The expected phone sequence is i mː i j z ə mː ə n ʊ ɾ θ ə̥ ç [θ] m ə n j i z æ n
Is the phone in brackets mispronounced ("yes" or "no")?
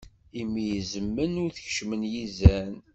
yes